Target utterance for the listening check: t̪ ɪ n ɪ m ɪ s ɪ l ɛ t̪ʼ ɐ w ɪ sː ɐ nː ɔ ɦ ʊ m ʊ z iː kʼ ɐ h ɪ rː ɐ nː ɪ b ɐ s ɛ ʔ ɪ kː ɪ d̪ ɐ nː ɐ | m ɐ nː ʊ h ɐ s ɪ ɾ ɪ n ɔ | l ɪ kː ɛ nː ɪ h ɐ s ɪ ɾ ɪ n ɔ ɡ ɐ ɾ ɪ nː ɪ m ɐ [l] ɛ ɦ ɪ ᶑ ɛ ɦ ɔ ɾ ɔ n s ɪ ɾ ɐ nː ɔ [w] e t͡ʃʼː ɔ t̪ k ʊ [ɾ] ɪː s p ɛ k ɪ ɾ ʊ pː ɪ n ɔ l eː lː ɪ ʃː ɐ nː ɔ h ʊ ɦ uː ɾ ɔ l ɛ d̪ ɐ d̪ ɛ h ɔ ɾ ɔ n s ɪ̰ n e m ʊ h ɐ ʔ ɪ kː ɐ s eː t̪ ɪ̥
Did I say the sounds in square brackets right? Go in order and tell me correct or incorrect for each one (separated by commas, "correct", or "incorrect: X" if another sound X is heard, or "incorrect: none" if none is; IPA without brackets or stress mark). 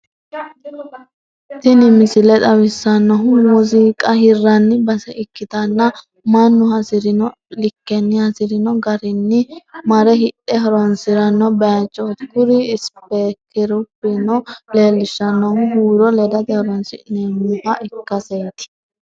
incorrect: ɾ, incorrect: b, correct